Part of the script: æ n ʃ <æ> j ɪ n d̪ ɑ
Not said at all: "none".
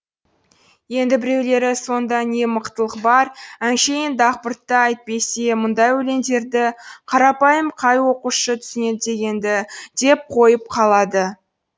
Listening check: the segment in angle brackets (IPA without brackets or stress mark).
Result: e